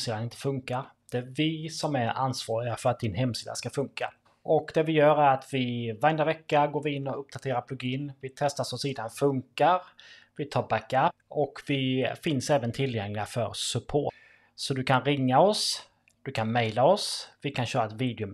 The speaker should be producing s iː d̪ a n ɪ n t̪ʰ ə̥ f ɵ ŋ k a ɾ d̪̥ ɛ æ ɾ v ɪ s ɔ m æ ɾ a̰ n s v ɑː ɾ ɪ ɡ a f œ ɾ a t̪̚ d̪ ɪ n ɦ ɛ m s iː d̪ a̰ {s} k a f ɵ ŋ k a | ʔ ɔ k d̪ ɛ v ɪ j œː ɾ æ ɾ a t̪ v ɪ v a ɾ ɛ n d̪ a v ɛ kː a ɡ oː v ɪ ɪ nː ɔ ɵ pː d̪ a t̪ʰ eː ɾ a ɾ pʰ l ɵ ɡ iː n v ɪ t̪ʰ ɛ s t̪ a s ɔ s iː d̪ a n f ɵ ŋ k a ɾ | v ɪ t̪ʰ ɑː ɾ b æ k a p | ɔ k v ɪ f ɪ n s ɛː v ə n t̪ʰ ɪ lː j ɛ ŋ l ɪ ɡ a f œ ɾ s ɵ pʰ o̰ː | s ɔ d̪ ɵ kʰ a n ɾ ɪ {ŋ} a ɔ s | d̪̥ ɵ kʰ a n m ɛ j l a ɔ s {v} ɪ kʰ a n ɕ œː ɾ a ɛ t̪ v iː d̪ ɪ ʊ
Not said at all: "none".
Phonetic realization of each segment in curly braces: s, ŋː, v

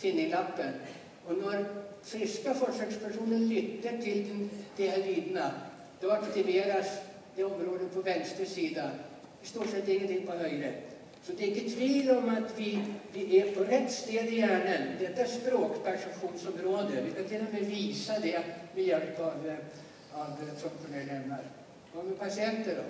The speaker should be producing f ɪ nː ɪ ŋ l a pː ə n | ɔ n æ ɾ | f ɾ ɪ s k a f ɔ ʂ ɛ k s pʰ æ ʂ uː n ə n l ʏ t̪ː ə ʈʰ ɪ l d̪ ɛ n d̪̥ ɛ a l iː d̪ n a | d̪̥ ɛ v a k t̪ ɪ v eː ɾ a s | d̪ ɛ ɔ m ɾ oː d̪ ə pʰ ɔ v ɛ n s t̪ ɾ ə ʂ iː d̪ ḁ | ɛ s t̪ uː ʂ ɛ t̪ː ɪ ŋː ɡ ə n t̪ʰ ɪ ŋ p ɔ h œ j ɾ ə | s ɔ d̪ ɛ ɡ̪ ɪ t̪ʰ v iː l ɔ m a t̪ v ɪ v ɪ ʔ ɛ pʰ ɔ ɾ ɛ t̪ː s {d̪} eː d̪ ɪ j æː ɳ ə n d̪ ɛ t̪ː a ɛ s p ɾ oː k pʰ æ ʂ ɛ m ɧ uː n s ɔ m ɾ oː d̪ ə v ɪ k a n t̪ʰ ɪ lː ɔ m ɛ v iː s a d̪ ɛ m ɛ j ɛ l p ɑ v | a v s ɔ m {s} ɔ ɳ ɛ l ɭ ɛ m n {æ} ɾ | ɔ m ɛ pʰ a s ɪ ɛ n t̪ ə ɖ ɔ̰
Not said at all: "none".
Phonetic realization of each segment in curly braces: t̪, f, a

